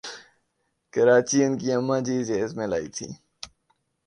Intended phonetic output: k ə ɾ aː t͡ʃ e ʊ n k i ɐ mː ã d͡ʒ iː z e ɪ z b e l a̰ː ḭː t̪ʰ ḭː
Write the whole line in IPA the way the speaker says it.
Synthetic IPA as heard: k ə ɾ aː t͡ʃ i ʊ n k i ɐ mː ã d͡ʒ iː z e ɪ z m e l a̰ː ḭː t̪ʰ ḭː